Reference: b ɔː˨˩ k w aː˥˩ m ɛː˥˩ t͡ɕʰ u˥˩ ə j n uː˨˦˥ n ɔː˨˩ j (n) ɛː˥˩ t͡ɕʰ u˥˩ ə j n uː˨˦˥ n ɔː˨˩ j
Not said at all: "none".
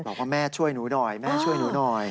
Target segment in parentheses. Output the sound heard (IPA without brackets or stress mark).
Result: m